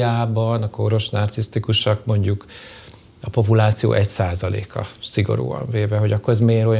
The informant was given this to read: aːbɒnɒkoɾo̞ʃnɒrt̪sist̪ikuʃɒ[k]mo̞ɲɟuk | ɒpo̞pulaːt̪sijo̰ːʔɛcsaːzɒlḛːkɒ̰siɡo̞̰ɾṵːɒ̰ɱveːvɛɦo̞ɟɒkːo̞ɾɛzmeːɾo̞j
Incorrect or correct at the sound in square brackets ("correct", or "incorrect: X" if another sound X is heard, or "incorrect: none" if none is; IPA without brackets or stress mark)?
correct